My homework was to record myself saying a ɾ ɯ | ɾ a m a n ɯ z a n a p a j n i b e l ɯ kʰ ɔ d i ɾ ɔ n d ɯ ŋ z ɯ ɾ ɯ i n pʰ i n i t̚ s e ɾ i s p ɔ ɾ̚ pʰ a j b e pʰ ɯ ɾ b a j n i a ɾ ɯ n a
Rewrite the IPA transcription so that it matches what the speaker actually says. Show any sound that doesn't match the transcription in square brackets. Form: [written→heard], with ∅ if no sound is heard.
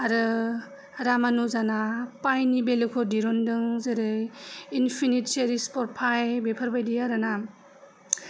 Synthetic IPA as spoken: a ɾ ɯ | ɾ a m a n [ɯ→u] z a n a p a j n i b e l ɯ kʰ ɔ d i ɾ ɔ n d ɯ ŋ z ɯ ɾ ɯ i n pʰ i n i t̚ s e ɾ i s p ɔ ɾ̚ pʰ a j b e pʰ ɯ ɾ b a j [n→d] i a ɾ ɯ n a

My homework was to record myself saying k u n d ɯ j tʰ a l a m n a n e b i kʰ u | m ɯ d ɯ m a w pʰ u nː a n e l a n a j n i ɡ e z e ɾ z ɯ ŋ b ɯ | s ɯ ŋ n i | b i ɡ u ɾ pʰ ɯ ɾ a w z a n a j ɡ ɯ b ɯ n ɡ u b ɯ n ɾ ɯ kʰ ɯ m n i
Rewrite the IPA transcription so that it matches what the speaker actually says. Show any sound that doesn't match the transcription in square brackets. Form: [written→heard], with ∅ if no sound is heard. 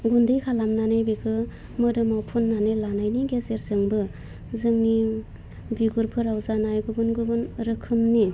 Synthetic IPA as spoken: [k→ɡ] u n d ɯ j [tʰ→kʰ] a l a m n a n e b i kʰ [u→ɯ] | m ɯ d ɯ m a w pʰ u nː a n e l a n a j n i ɡ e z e ɾ z ɯ ŋ b ɯ | [s→z] ɯ ŋ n i | b i ɡ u ɾ pʰ ɯ ɾ a w z a n a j ɡ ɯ b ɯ n ɡ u b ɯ n ɾ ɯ kʰ ɯ m n i

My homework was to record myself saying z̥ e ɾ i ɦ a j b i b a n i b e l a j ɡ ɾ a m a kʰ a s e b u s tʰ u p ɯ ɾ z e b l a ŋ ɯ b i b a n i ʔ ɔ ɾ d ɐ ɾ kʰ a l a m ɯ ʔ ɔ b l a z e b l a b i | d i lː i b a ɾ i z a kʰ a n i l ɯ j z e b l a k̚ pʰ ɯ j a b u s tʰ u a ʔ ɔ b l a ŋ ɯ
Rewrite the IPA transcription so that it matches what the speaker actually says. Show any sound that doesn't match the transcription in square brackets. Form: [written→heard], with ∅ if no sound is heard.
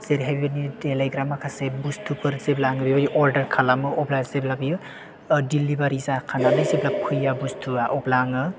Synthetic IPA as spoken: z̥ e ɾ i ɦ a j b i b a n i [b→d] e l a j ɡ ɾ a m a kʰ a s e b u s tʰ u p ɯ ɾ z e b l a ŋ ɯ b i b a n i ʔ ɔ ɾ d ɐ ɾ kʰ a l a m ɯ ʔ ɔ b l a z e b l a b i | d i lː i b a ɾ i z a kʰ a n [i→a] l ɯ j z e b l a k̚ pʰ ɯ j a b u s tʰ u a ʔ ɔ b l a ŋ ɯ

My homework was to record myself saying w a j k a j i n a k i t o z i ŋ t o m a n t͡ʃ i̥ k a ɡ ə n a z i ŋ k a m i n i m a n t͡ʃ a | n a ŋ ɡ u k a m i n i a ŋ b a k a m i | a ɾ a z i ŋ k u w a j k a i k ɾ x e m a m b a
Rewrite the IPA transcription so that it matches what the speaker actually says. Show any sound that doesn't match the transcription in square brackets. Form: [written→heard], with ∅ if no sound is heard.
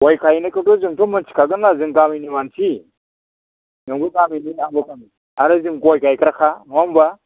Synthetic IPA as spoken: w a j k a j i n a k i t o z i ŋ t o m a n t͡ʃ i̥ k a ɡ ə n a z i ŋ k a m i n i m a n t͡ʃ [a→i] | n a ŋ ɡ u k a m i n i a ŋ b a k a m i | a ɾ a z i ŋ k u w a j k a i k ɾ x [e→a] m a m b a

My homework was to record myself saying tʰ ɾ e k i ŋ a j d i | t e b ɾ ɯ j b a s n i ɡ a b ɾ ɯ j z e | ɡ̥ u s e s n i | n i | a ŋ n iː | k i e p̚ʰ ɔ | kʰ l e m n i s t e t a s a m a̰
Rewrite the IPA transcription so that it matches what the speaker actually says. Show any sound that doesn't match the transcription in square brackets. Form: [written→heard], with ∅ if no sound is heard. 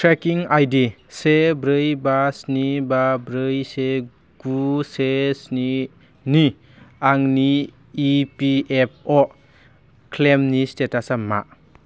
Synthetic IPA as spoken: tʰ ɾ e k i ŋ a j d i | [t→s] e b ɾ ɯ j b a s n i [ɡ→b] a b ɾ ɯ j [z→s] e | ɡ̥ u s e s n i | n i | a ŋ n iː | [k→p] i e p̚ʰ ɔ | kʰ l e m n i s t e t a s a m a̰

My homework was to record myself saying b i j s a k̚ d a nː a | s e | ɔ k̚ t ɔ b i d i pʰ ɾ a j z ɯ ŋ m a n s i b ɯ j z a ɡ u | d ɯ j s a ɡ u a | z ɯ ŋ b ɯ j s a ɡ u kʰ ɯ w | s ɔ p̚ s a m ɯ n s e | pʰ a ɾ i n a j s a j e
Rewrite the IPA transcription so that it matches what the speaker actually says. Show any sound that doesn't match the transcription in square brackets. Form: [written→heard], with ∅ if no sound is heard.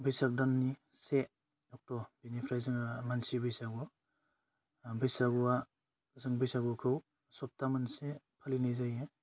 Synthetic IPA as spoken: b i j s a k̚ d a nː [a→i] | s e | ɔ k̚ t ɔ b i [d→n] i pʰ ɾ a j z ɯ ŋ m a n s i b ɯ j [z→s] a ɡ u | [d→b] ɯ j s a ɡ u a | z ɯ ŋ b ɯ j s a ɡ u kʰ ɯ w | s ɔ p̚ [s→t] a m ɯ n s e | pʰ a [ɾ→l] i n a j [s→z] a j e

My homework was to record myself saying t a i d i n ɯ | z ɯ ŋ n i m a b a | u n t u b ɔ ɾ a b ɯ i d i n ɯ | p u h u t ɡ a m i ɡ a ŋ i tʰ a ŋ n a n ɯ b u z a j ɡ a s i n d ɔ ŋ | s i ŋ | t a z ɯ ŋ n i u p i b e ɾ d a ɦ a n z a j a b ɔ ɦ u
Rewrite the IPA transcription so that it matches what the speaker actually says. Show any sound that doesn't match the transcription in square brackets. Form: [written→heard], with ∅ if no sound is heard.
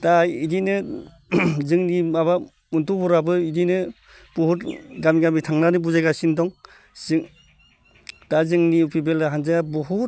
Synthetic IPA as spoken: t a i d i n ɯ | z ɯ ŋ n i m a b a | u n t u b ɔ ɾ a b ɯ i d i n ɯ | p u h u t ɡ a m i ɡ a [ŋ→m] i tʰ a ŋ n a n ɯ b u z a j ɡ a s i n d ɔ ŋ | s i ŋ | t a z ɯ ŋ n i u p i b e [ɾ→l] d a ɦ a n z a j a b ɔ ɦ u

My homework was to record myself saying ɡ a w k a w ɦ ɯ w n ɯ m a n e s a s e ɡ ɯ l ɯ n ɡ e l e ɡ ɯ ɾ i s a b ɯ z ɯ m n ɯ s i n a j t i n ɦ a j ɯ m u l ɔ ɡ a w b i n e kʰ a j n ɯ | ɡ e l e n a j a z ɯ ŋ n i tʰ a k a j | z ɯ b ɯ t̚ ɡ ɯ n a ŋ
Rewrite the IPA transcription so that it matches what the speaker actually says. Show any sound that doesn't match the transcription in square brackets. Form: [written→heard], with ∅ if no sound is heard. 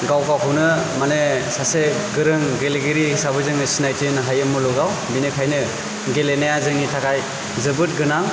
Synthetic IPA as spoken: ɡ a w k a w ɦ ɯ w n ɯ m a n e s a s e ɡ ɯ [l→ɾ] ɯ [n→ŋ] ɡ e l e ɡ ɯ ɾ i s a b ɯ z ɯ [m→ŋ] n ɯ s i n a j t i n ɦ a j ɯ m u l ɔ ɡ a w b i n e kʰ a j n ɯ | ɡ e l e n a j a z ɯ ŋ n i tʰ a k a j | z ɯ b ɯ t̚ ɡ ɯ n a ŋ

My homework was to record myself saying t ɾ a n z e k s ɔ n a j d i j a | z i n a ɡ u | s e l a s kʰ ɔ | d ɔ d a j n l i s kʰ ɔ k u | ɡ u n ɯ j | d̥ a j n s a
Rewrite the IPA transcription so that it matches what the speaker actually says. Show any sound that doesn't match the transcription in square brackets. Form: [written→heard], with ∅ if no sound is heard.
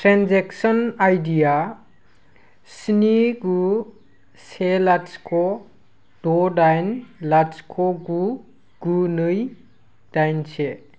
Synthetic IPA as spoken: t ɾ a n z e k s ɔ n a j d i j a | [z→s] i n [a→i] ɡ u | s e l a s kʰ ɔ | d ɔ d a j n l [i→a] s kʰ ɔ [k→ɡ] u | ɡ u n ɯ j | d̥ a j n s [a→e]

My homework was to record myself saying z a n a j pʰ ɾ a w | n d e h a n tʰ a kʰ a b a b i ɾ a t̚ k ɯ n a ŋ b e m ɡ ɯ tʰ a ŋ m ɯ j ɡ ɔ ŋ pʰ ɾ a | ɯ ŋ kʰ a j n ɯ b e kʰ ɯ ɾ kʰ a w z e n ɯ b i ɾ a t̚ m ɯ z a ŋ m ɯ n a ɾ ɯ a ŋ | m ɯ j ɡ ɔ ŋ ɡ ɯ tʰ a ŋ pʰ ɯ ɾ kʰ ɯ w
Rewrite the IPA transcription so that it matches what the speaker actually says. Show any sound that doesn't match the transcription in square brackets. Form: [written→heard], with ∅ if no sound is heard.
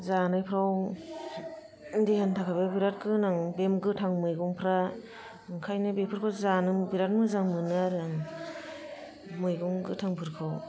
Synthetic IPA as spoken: z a n a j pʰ ɾ a w | n d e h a n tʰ a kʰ a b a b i ɾ a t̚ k ɯ n a ŋ b e m ɡ ɯ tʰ a ŋ m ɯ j ɡ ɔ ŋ pʰ ɾ a | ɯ ŋ kʰ a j n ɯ b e [kʰ→pʰ] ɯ ɾ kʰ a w z [e→a] n ɯ b i ɾ a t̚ m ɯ z a ŋ m ɯ n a ɾ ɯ a ŋ | m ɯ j ɡ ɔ ŋ ɡ ɯ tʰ a ŋ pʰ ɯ ɾ kʰ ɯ w

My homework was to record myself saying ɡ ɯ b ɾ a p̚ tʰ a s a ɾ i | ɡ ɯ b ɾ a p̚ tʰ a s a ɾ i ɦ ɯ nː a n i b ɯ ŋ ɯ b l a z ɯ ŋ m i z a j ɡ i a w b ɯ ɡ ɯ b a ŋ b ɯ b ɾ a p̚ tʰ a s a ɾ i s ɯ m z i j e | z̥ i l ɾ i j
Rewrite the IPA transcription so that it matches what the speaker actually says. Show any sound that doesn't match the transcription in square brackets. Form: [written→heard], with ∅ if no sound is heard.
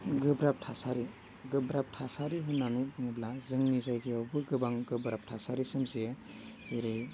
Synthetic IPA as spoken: ɡ ɯ b ɾ a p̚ tʰ a s a ɾ i | ɡ ɯ b ɾ a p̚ tʰ a s a ɾ i ɦ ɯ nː a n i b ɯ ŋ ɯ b l a z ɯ ŋ [m→n] i z a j ɡ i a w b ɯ ɡ ɯ b a ŋ [b→ɡ] ɯ b ɾ a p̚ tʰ a s a ɾ i s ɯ m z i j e | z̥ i [l→∅] ɾ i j

